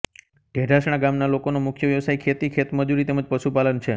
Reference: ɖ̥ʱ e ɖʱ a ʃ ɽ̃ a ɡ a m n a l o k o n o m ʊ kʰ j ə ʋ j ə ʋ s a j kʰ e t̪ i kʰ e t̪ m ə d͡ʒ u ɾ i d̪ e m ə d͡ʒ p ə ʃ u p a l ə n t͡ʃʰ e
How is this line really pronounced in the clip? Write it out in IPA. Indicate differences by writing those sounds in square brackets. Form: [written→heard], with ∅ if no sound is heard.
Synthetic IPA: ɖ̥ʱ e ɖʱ a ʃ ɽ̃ a ɡ a m n a l o k o n o m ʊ kʰ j ə ʋ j ə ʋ s a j kʰ e t̪ i kʰ e t̪ m ə d͡ʒ u ɾ i [d̪→t̪] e m ə d͡ʒ p ə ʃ u p a l ə n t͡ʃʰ e

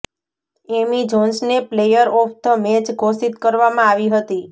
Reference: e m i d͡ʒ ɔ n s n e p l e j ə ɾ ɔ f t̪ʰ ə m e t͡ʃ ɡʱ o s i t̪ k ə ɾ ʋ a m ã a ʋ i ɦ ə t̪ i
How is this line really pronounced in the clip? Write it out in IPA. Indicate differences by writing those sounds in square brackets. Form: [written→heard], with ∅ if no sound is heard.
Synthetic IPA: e m i d͡ʒ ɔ n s n e p l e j ə ɾ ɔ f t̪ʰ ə m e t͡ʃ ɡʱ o s i t̪ k ə ɾ ʋ a m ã a ʋ i ɦ ə t̪ i

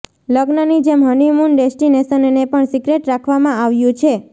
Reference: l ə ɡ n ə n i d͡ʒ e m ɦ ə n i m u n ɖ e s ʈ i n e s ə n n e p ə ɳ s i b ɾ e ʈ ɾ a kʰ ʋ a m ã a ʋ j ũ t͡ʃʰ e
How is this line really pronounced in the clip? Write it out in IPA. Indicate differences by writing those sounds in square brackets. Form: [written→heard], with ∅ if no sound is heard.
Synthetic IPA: l ə ɡ n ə n i d͡ʒ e m ɦ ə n i m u n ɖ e s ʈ i n e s ə n n e p ə ɳ s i [b→ɡ] ɾ e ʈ ɾ a kʰ ʋ a m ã a ʋ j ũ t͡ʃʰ e

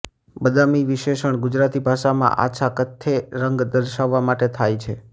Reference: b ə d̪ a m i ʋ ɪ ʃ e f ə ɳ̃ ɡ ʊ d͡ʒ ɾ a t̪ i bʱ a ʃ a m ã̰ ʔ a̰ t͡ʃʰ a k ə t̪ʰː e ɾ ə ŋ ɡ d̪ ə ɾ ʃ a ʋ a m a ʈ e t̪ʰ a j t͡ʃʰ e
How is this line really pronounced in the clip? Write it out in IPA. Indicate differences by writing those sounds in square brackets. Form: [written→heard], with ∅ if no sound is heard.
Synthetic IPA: b ə d̪ a m i ʋ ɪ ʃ e [f→ʃ] ə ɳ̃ ɡ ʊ d͡ʒ ɾ a t̪ i bʱ a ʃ a m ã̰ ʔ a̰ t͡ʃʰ a k ə t̪ʰː e ɾ ə ŋ ɡ d̪ ə ɾ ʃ a [ʋ→ʋː] a m a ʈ e t̪ʰ a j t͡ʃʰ e

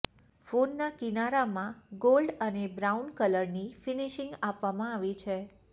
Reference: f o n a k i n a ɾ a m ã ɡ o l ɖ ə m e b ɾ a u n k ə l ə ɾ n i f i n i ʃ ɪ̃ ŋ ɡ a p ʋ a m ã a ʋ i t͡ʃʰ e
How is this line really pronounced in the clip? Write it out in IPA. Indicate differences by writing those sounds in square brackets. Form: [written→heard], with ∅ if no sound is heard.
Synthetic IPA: f o [n→nː] a k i n a ɾ a m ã ɡ o l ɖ ə [m→n] e b ɾ a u n k ə l ə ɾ n i f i n i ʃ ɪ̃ ŋ ɡ a p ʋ a m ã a ʋ i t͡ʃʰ e

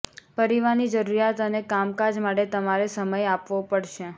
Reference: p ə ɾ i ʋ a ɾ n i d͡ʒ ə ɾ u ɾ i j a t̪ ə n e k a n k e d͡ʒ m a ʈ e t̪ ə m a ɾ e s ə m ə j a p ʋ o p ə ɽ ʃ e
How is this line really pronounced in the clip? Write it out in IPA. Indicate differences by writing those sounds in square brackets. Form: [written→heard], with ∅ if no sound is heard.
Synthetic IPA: p ə ɾ i ʋ a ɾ n i d͡ʒ ə ɾ u ɾ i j a t̪ ə n e k a [n→m] k [e→a] d͡ʒ m a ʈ e t̪ ə m a ɾ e s ə m ə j a p ʋ o p ə ɽ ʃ e

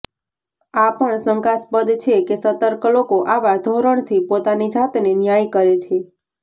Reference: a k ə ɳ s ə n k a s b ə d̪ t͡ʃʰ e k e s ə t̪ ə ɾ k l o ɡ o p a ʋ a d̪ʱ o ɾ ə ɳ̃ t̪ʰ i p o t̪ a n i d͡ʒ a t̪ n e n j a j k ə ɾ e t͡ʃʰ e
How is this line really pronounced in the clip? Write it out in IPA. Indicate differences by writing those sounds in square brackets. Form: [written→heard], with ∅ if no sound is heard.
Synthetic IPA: a [k→p] ə ɳ s ə [n→ŋ] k a s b ə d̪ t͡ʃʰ e k e s ə t̪ ə ɾ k l o [ɡ→k] o [p→ʔ] a ʋ a d̪ʱ o ɾ ə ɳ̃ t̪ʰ i p o t̪ a n i d͡ʒ a t̪ n e n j a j k ə ɾ e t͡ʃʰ e

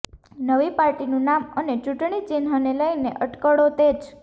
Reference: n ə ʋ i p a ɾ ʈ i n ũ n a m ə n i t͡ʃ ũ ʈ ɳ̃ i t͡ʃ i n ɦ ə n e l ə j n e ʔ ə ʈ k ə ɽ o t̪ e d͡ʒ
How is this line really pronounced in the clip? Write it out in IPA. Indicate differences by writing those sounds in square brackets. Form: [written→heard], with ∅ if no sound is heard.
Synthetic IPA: n ə ʋ i p a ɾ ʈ i n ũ n a m ə n [i→e] t͡ʃ [ũ→u] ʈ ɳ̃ i t͡ʃ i n ɦ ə n e l ə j n e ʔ ə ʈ k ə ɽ o t̪ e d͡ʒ

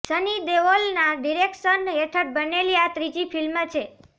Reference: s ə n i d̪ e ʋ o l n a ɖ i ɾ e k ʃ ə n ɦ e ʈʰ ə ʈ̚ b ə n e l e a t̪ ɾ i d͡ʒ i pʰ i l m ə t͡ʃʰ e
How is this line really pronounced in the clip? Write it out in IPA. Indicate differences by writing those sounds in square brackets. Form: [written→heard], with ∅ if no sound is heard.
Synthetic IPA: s ə n i d̪ e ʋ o l n a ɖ i ɾ e k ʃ ə n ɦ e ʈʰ ə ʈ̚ b ə n e l [e→i] a t̪ ɾ i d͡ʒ i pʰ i l m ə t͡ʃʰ e

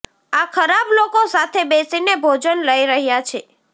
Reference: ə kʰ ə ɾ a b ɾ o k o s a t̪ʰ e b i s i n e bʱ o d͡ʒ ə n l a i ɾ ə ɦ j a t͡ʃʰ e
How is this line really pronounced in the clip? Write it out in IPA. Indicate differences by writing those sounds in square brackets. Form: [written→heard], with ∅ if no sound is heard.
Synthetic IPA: [ə→a] kʰ ə ɾ a b [ɾ→l] o k o s a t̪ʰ e b [i→e] s i n e bʱ o d͡ʒ ə n l [a→ə] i ɾ ə ɦ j a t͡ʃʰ e

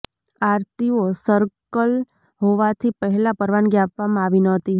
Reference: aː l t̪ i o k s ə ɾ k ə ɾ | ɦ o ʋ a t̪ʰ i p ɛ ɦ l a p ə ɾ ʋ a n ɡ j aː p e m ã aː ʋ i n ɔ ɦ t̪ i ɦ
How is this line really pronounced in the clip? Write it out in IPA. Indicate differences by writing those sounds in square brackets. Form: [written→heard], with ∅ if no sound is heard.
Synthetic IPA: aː [l→ɾ] t̪ i o [k→∅] s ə ɾ k ə [ɾ→l] | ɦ o ʋ a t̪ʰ i p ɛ ɦ l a p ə ɾ ʋ a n ɡ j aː p [e→a] m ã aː ʋ i n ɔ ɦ t̪ i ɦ

